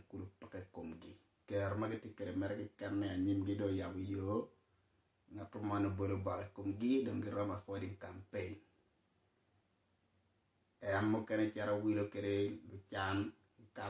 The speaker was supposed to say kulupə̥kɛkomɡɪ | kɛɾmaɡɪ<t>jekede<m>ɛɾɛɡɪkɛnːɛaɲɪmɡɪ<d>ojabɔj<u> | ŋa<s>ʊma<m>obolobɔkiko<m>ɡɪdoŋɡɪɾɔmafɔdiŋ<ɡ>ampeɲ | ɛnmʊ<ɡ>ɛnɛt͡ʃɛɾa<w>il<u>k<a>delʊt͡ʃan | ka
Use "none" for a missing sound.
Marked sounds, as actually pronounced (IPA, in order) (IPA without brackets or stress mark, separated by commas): t, m, d, o, t, n, m, k, k, w, o, e